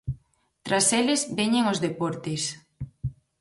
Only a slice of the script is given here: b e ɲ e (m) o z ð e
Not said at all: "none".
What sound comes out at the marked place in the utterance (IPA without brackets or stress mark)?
ŋ